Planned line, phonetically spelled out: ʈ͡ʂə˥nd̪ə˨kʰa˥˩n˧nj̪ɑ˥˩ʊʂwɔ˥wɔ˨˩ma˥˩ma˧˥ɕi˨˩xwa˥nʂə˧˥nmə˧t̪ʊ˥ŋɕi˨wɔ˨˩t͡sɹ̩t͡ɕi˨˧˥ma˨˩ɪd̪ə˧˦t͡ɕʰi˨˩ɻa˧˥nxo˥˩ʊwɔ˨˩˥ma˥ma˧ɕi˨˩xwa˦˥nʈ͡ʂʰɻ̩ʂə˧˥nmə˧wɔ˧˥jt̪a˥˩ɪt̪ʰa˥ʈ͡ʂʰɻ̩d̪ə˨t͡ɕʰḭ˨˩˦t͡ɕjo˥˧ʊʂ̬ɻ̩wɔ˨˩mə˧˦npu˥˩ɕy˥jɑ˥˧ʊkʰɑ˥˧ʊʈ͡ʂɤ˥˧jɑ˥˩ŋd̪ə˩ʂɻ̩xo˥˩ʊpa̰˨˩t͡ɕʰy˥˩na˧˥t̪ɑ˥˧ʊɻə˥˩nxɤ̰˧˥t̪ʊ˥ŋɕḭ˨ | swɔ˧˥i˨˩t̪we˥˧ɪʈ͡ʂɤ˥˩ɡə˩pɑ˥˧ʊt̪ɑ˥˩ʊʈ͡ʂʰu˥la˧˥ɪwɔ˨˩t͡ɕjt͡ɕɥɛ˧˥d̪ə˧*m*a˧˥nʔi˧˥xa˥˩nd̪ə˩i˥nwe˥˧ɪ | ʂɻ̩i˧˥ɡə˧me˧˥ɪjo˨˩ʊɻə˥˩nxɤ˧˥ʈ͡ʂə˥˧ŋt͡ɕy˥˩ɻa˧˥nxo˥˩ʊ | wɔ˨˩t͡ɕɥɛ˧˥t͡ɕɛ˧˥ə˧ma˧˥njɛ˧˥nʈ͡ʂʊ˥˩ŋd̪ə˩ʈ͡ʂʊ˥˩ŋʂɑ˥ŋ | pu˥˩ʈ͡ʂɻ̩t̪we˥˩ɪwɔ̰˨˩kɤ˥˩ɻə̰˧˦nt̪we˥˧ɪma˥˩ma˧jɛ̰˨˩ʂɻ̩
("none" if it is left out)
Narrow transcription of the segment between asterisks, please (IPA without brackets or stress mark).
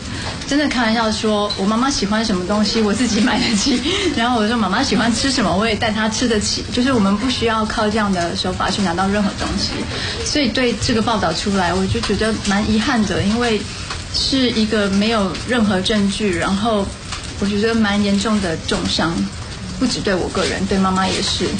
m